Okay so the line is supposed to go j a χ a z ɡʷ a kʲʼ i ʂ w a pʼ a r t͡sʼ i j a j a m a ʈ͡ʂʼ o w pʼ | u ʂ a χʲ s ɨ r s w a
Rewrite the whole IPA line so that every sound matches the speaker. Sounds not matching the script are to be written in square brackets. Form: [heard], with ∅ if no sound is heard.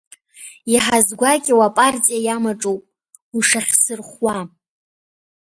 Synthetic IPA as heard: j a [ħ] a z ɡʷ a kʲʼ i [∅] w a pʼ a r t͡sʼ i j a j a m a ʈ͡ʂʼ o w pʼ | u ʂ a χʲ s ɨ r [χ] w a